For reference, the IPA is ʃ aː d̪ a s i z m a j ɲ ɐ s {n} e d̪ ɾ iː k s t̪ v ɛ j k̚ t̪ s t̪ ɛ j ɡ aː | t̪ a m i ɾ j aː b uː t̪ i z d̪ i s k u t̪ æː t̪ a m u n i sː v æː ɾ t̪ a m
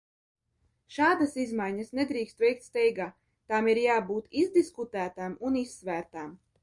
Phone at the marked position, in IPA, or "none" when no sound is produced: n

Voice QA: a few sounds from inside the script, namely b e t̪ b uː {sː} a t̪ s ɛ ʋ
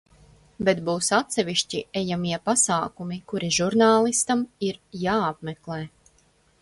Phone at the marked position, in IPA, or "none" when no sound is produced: s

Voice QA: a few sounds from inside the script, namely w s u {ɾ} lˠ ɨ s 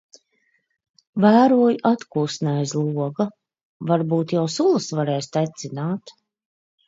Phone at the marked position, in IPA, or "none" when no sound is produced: none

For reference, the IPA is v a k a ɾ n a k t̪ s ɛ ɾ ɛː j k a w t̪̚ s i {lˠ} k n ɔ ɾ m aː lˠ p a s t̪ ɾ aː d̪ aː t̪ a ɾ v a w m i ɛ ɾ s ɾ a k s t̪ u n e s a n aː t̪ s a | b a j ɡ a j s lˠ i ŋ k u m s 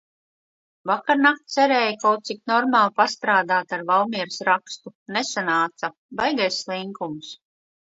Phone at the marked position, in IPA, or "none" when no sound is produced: none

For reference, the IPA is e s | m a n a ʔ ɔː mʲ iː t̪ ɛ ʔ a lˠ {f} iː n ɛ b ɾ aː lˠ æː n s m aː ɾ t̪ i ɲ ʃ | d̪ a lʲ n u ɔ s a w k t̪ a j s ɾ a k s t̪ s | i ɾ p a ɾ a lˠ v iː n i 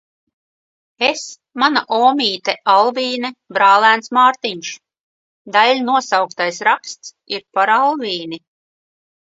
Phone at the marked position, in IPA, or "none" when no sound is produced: v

